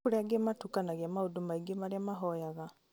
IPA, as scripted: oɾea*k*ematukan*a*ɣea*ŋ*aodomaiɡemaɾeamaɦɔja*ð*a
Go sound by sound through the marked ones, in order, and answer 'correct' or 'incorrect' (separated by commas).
incorrect, correct, incorrect, incorrect